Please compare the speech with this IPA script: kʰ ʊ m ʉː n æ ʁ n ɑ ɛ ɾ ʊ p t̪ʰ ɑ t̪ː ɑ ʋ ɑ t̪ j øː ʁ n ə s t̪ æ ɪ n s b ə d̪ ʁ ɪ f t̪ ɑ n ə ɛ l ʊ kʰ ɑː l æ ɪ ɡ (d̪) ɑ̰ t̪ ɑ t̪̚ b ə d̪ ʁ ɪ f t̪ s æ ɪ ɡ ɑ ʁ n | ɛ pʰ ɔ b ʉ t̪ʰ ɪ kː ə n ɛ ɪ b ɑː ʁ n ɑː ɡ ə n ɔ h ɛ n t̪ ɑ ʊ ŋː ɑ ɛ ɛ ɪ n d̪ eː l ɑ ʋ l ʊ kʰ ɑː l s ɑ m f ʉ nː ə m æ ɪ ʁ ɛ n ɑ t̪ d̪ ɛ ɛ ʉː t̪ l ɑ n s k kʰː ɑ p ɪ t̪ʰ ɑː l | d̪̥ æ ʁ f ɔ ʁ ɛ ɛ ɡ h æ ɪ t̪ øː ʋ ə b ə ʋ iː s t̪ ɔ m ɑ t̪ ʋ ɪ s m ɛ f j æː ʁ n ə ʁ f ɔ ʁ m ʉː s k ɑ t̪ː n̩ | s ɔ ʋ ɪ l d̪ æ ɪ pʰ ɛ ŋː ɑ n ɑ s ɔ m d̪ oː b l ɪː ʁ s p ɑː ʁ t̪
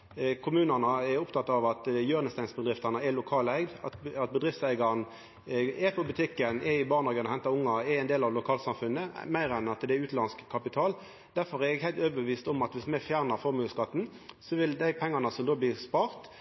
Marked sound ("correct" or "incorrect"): correct